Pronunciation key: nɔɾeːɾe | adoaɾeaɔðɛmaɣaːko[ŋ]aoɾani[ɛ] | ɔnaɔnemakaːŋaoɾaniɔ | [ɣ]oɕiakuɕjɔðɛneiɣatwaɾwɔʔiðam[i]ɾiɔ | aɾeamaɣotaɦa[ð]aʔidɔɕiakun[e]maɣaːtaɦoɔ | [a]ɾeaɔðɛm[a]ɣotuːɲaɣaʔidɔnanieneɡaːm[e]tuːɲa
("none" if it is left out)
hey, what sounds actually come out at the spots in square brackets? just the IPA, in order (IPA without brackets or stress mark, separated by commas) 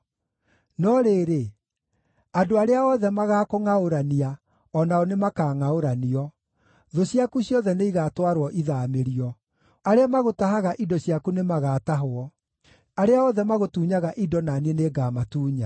ŋ, a, ð, e, ɣ, e, a, a, a